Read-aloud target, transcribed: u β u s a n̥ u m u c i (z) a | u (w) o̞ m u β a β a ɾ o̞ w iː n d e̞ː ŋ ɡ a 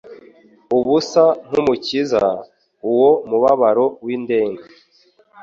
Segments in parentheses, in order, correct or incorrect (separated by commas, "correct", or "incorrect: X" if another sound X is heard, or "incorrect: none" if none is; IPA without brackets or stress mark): correct, correct